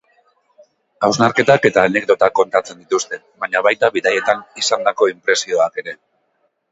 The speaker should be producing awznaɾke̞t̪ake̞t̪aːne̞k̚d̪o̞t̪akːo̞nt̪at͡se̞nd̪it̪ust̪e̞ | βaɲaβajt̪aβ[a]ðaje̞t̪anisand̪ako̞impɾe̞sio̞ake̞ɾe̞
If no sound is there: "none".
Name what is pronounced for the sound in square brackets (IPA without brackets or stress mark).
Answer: i